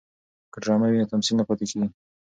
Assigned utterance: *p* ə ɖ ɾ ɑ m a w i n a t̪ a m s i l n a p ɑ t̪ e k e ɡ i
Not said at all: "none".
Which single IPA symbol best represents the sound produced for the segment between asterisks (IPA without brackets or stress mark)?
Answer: k